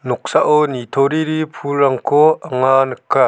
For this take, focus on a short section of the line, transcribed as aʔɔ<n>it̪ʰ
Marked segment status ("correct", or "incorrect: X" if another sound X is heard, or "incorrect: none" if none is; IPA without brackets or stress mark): correct